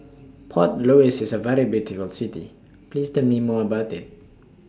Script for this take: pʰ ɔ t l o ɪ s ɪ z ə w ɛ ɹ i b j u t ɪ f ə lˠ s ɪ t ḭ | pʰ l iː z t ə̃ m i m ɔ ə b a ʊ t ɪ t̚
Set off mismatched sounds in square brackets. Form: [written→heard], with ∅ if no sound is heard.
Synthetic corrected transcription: pʰ ɔ t l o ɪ s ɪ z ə [w→v] ɛ ɹ i b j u t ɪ f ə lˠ s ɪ t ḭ | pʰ l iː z t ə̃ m i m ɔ ə b a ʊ t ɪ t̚

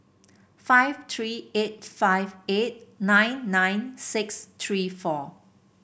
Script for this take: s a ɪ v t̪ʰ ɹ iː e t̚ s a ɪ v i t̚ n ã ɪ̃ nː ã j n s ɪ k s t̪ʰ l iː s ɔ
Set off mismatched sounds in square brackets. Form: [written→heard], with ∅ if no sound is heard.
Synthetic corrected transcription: [s→f] a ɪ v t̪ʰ ɹ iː e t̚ [s→f] a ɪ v [i→e] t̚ n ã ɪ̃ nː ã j n s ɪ k s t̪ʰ [l→ɹ] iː [s→f] ɔ

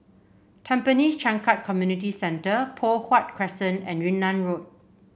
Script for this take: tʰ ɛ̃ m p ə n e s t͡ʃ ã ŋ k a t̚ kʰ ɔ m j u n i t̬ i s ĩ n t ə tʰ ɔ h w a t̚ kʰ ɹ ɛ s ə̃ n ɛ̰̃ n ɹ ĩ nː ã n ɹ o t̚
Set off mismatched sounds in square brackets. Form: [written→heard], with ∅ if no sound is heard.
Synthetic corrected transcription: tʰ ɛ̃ m p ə n [e→i] s t͡ʃ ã ŋ k a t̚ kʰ ɔ m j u n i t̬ i s [ĩ→ɛ̃] n t ə [tʰ→pʰ] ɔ h w a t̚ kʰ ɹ ɛ s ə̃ n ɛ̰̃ n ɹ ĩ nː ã n ɹ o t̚

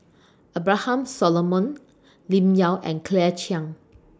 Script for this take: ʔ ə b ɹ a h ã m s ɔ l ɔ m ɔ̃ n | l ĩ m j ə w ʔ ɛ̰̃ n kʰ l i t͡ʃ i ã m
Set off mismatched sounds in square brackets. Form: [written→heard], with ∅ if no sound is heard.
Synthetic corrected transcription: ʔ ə b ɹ a h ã m s ɔ l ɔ m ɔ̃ n | l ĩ m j [ə→a] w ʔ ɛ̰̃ n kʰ l [i→ɛ] t͡ʃ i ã [m→ŋ]

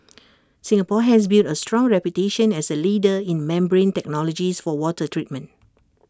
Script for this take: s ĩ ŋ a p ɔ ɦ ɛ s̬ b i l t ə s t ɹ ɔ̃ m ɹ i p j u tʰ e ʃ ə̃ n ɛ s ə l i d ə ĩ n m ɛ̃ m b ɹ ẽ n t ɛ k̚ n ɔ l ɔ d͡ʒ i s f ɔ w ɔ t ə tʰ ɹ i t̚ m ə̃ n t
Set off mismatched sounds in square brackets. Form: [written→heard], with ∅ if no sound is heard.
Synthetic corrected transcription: s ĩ ŋ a p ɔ ɦ ɛ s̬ b i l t ə s t ɹ ɔ̃ [m→ŋ] ɹ [i→ɛ] p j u [tʰ→t] e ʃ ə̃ n ɛ s ə l i d ə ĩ n m ɛ̃ m b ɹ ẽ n t ɛ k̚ n ɔ l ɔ d͡ʒ i s f ɔ w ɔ t ə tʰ ɹ i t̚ m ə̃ n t

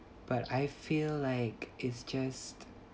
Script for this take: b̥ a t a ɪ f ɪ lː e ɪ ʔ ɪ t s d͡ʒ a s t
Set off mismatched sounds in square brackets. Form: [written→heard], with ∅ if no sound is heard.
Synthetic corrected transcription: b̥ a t a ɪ f [ɪ→i] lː [e→a] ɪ [ʔ→k] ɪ t s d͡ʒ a s t

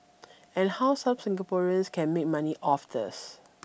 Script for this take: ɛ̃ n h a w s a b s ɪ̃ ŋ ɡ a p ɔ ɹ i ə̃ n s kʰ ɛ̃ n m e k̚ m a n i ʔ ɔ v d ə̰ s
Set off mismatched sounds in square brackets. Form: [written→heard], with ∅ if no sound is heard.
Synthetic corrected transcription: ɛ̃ n h a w s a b s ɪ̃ ŋ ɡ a p ɔ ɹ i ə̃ n s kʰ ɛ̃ n m e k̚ m a n i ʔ ɔ [v→f] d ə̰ s

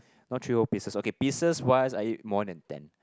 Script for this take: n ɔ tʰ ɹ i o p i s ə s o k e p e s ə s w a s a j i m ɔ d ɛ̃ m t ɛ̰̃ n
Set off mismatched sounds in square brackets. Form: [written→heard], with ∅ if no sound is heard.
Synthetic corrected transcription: n ɔ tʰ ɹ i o p i s ə s o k e p [e→i] s ə s w a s a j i m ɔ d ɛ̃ [m→n] t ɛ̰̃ n

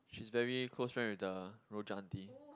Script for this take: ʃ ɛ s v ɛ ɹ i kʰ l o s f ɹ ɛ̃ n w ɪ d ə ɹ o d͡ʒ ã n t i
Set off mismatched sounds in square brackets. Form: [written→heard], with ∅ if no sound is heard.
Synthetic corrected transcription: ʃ [ɛ→i] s v ɛ ɹ i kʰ l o s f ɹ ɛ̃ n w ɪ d ə ɹ o d͡ʒ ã n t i

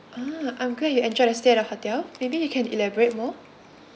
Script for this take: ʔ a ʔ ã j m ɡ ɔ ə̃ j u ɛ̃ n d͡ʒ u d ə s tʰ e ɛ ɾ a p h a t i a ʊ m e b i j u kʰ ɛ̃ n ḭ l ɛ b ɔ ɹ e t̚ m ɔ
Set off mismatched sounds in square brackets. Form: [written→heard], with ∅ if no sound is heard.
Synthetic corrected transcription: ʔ a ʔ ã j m ɡ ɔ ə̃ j u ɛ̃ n d͡ʒ [u→ɔ] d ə s [tʰ→t] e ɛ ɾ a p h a t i a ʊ m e b i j u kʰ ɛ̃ n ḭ l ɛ b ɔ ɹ e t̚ m ɔ

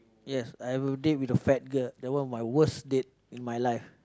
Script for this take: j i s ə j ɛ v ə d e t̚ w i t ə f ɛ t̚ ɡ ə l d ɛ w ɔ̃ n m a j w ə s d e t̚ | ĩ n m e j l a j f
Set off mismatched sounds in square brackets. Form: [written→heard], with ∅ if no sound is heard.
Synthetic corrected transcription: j [i→ɛ] s [ə→a] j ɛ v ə d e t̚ w i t ə f ɛ t̚ ɡ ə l d ɛ w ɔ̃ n m a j w ə s d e t̚ | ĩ n m [e→a] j l a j f

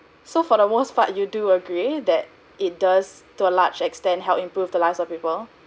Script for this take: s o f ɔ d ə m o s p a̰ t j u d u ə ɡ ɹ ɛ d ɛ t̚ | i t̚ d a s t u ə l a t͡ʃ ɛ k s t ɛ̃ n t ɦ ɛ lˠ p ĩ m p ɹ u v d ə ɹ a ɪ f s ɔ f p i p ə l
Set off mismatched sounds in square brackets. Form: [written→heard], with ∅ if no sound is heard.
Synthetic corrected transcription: s o f ɔ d ə m o s p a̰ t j u d u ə ɡ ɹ [ɛ→i] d ɛ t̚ | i t̚ d a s t u ə l a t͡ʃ ɛ k s t ɛ̃ n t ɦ ɛ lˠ p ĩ m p ɹ u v d ə [ɹ→l] a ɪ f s ɔ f p i p ə l

